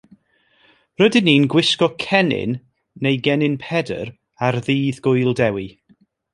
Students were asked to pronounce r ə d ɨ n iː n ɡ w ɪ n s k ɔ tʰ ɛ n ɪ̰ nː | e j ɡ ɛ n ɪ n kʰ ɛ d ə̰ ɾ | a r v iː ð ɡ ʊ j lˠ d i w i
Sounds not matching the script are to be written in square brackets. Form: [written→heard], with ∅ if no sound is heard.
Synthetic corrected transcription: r ə d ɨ n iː n ɡ w ɪ [n→∅] s k ɔ [tʰ→kʰ] ɛ n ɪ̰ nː | e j ɡ ɛ n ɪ n [kʰ→pʰ] ɛ d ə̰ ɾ | a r [v→ð] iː ð ɡ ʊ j lˠ d [i→ɛ] w i